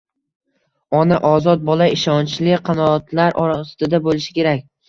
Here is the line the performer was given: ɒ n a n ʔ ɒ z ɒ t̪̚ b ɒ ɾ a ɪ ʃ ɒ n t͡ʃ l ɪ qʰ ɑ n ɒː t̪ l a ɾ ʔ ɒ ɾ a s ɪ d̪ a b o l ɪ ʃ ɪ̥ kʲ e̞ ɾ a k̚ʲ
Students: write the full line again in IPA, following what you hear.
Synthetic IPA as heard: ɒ n a ʔ ɒ z ɒ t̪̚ b ɒ l a ɪ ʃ ɒ n t͡ʃ l ɪ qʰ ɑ n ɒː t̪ l a ɾ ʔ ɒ ɾ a s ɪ d̪ a b o l ɪ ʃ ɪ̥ kʲ e̞ ɾ a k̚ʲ